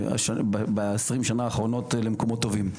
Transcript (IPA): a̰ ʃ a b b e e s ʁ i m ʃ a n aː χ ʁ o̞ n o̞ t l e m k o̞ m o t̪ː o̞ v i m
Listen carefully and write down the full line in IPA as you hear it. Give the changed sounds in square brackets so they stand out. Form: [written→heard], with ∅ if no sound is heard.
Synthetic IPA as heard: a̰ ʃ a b b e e s ʁ i m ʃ a n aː χ ʁ o̞ n o̞ t l e m k o̞ m o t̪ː o̞ v i m